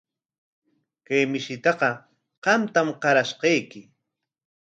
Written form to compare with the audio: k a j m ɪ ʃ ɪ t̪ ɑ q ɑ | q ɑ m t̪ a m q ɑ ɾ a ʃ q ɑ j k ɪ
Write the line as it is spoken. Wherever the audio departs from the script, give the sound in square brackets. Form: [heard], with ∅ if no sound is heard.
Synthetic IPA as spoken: k a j m ɪ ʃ ɪ t̪ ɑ q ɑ | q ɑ m t̪ a m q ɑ ɾ a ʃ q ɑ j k ɪ